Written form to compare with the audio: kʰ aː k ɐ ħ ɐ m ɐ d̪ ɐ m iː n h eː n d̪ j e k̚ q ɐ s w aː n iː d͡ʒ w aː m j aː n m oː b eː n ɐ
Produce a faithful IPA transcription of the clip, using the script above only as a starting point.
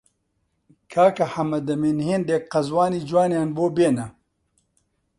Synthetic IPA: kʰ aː k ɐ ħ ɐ m ɐ d̪ ɐ m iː n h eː n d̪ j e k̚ q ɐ z w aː n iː d͡ʒ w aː n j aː n b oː b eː n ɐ